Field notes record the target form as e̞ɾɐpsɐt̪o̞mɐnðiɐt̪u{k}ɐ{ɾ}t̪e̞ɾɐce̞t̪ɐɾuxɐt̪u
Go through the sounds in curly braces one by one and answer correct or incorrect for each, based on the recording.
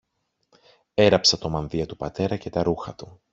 incorrect, incorrect

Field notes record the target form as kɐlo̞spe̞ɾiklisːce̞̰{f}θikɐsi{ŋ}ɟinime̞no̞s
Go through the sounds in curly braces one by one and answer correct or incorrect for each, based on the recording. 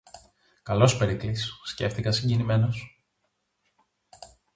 correct, incorrect

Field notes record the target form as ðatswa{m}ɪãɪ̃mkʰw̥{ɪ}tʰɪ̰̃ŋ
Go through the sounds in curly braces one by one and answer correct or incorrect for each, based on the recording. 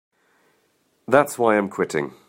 incorrect, correct

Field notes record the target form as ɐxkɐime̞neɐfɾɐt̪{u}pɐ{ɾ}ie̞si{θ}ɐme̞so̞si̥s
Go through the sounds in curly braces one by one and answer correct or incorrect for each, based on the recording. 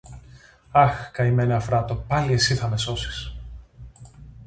incorrect, incorrect, correct

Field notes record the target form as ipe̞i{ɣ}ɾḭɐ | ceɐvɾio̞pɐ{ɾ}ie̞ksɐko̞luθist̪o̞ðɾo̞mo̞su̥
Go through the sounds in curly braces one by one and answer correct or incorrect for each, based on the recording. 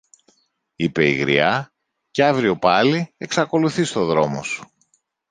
correct, incorrect

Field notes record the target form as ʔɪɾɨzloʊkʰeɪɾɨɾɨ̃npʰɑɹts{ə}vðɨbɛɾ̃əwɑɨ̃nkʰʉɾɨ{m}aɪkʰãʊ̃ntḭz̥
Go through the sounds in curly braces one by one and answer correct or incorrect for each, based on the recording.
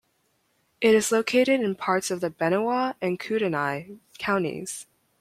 incorrect, incorrect

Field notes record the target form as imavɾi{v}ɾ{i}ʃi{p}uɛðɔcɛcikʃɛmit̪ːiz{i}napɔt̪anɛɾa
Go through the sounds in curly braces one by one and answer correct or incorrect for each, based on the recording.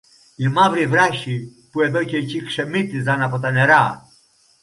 correct, incorrect, correct, incorrect

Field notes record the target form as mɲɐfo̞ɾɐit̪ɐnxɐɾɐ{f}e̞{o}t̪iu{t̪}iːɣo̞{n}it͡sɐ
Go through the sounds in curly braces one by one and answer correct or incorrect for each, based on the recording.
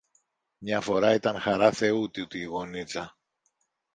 incorrect, incorrect, correct, correct

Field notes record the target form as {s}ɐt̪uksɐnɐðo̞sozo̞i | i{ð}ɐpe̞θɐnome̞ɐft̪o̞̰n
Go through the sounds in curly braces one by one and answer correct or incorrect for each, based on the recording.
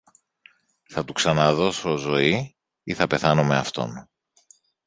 incorrect, incorrect

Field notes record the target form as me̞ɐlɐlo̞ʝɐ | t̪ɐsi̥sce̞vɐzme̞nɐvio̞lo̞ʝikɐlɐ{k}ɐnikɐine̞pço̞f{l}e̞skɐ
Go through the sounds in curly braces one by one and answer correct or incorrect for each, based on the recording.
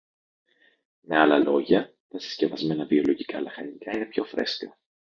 incorrect, incorrect

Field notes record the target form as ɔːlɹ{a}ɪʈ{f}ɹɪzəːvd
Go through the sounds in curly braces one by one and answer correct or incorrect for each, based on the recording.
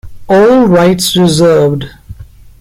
correct, incorrect

